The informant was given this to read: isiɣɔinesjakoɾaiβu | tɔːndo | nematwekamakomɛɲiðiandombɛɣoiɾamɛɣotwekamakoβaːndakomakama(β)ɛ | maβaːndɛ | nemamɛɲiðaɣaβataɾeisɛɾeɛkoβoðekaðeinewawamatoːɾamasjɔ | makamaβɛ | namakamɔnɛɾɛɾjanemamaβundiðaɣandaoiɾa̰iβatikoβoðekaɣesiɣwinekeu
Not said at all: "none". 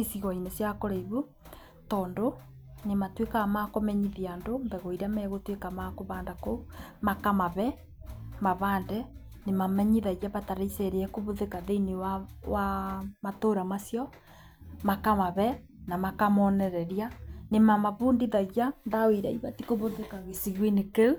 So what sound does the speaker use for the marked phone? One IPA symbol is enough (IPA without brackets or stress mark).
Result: β